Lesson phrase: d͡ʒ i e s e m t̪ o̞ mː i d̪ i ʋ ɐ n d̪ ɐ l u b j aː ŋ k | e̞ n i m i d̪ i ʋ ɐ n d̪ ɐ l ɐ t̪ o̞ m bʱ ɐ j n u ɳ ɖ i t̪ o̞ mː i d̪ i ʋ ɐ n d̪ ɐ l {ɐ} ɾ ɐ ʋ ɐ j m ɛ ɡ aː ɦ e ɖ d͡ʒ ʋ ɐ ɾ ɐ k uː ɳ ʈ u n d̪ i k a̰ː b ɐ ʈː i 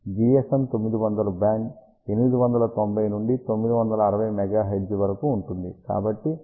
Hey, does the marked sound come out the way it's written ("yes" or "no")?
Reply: no